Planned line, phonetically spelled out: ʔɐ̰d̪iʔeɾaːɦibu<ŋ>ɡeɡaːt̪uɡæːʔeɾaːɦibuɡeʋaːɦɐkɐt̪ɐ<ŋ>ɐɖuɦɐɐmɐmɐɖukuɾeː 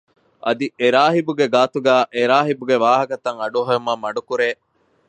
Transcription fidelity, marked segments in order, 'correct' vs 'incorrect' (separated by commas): incorrect, correct